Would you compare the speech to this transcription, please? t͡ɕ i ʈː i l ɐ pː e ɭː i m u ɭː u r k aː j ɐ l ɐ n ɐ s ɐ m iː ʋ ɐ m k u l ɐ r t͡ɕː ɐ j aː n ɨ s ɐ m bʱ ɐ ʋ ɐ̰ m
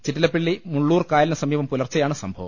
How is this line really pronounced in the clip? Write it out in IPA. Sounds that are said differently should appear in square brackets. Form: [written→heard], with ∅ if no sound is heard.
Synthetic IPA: t͡ɕ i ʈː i l ɐ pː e ɭː i m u ɭː [u→uː] r k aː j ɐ l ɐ n ɐ s ɐ m iː ʋ ɐ m [k→p] u l ɐ r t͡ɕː ɐ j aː [n→ɳ] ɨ s ɐ m bʱ ɐ ʋ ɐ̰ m